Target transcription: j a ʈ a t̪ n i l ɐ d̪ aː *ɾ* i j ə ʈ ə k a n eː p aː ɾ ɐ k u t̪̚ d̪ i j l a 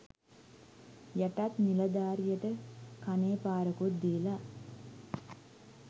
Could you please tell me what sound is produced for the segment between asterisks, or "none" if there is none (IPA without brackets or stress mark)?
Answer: ɾ